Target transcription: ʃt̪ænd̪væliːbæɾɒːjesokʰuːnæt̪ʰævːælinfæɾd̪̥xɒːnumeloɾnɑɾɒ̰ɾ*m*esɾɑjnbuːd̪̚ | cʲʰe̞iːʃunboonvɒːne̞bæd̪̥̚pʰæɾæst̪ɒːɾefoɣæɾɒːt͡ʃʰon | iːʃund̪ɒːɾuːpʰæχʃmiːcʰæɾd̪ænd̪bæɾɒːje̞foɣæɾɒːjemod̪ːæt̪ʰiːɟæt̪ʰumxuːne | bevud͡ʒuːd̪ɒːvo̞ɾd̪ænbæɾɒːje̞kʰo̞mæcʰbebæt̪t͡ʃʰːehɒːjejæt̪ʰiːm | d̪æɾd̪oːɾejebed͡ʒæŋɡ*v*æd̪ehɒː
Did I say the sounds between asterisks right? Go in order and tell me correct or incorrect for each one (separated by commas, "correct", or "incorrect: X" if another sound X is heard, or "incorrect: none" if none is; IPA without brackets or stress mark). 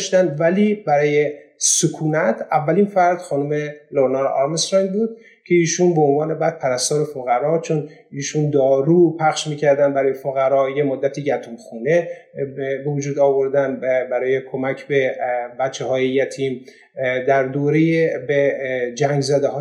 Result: correct, incorrect: z